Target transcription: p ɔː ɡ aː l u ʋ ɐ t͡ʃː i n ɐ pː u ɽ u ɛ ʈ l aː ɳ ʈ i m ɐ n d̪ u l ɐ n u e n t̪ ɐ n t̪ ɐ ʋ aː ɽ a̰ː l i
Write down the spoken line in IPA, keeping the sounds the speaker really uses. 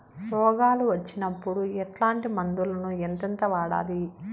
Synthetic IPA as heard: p ɔː ɡ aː l u ʋ ɐ t͡ʃː i n ɐ pː u ɽ u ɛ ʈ l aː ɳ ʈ i m ɐ n d̪ u l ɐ n u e n t̪ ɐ n t̪ ɐ ʋ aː ɽ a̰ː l i